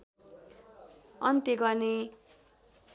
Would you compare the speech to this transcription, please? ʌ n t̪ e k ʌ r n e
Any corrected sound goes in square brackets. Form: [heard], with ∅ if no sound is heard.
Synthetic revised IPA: ʌ n t̪ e [ɡ] ʌ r n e